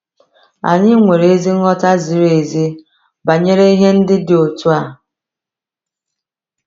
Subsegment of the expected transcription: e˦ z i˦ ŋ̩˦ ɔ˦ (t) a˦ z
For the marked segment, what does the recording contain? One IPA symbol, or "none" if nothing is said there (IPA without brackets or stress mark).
t